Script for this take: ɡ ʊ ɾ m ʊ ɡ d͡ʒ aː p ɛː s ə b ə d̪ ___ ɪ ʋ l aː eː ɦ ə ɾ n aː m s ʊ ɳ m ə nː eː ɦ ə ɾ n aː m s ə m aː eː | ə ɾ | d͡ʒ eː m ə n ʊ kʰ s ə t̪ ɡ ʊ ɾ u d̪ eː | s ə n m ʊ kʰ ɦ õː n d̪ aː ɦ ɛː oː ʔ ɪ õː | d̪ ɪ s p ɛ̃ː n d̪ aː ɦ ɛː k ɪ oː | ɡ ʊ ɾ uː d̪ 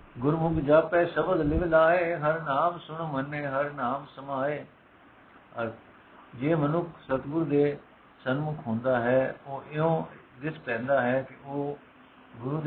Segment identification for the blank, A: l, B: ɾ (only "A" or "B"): A